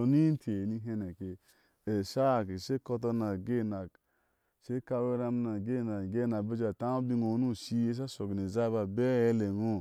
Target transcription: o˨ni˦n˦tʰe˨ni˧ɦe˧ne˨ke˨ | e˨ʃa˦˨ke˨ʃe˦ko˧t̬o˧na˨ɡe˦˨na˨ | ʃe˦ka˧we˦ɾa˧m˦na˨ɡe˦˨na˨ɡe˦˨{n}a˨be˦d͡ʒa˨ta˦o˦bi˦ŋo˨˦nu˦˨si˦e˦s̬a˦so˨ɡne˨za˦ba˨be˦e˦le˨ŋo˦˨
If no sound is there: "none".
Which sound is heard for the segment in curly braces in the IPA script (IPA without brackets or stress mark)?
n